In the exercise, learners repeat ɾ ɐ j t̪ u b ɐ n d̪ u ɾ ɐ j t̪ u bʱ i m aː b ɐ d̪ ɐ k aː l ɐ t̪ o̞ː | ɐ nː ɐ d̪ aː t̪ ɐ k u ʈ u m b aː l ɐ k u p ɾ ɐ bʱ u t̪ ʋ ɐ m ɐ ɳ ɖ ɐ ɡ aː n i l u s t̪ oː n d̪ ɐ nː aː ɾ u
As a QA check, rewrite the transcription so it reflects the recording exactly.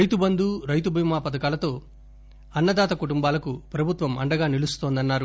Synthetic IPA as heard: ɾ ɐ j t̪ u b ɐ n d̪ u ɾ ɐ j t̪ u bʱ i m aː p ɐ d̪ ɐ k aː l ɐ t̪ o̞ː | ɐ nː ɐ d̪ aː t̪ ɐ k u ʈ u m b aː l ɐ k u p ɾ ɐ bʱ u t̪ ʋ ɐ m ɐ ɳ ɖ ɐ ɡ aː n i l u s t̪ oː n d̪ ɐ nː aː ɾ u